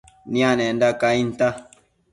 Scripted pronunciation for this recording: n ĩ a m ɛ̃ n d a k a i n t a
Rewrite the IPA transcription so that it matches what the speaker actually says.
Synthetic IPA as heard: n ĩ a n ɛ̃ n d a k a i n t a